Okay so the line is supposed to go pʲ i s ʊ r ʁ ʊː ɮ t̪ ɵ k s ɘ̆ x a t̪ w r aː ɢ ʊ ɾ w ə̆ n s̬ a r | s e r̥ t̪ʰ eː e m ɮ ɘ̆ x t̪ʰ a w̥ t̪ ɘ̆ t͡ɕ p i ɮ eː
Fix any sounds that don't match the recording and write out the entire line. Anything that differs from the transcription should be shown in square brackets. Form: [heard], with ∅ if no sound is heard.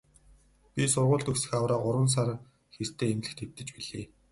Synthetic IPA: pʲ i s ʊ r ʁ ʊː ɮ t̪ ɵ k s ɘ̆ x a [∅] w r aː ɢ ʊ ɾ w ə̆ n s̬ a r | [x] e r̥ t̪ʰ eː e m ɮ ɘ̆ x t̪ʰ [e] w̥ t̪ ɘ̆ t͡ɕ p i ɮ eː